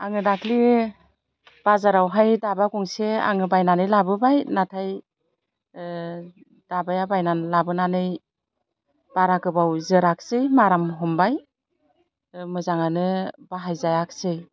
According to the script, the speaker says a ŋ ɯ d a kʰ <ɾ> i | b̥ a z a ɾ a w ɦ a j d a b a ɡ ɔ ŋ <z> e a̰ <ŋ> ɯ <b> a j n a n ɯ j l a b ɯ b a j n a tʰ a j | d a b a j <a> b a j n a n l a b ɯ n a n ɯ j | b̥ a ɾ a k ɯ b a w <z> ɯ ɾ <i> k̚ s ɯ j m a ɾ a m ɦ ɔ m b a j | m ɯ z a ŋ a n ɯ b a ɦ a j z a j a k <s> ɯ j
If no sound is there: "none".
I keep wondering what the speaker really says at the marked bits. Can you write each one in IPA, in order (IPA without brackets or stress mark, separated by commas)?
l, s, ŋ, b, a, z, a, s